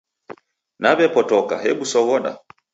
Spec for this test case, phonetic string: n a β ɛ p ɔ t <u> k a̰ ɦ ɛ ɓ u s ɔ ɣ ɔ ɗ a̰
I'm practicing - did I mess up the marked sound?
yes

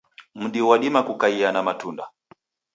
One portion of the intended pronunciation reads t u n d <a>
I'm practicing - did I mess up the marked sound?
no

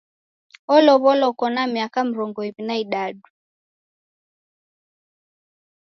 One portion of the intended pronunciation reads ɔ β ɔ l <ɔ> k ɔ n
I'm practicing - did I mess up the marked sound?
no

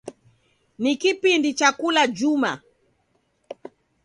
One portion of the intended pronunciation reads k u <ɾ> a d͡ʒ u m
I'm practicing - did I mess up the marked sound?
yes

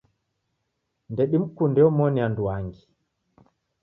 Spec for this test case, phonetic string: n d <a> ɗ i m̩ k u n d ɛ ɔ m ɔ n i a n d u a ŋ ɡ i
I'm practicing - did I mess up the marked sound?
yes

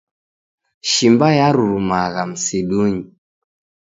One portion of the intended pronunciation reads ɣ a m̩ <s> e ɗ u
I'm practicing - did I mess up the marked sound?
no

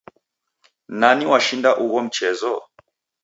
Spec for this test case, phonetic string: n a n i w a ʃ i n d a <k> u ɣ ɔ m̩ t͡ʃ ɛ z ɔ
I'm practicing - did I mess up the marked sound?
yes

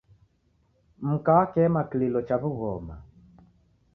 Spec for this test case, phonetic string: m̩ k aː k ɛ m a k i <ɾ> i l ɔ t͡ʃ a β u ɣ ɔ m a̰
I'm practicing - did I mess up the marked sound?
yes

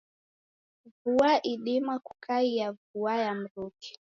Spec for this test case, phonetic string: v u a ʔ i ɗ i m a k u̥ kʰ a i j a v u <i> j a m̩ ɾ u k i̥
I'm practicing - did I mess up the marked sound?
yes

